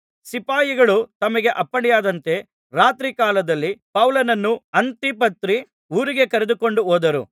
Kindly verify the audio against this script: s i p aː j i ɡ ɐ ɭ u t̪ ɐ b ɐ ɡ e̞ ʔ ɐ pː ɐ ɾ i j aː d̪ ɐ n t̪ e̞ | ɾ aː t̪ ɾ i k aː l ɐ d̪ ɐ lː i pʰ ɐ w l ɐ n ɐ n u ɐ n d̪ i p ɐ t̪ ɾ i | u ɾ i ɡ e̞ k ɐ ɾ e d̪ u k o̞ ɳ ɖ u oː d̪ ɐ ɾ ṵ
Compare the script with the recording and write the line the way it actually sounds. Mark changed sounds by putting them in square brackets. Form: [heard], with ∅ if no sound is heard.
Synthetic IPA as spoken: s i p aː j i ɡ ɐ ɭ u t̪ ɐ [m] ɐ ɡ e̞ ʔ ɐ pː ɐ [ɽ] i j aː d̪ ɐ n t̪ e̞ | ɾ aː t̪ ɾ i k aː l ɐ d̪ ɐ lː i [p] ɐ w l ɐ n ɐ [nː] u ɐ n [t̪] i p ɐ t̪ ɾ i | [uː] ɾ i ɡ e̞ k ɐ ɾ e d̪ u k o̞ ɳ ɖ u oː d̪ ɐ ɾ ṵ